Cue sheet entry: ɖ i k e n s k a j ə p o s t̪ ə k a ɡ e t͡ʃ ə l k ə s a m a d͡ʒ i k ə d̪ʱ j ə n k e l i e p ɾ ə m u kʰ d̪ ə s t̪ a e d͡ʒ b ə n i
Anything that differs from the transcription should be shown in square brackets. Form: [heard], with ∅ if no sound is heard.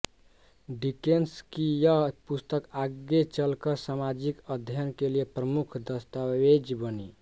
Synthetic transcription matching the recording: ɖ i k e n s k [i] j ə p [u] s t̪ ə k a ɡ e t͡ʃ ə l k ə s a m a d͡ʒ i k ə d̪ʱ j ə n k e l i e p ɾ ə m u kʰ d̪ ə s t̪ a e d͡ʒ b ə n i